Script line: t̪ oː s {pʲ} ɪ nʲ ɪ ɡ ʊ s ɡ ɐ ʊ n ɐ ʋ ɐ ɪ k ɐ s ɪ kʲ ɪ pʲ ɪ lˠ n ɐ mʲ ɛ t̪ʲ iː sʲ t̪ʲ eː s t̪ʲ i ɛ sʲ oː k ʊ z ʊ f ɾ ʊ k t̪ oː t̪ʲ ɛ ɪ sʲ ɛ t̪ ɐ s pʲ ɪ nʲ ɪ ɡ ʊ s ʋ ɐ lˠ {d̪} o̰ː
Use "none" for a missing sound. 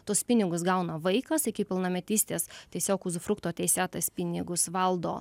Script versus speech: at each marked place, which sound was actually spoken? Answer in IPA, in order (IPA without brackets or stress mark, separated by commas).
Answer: pʲ, d̪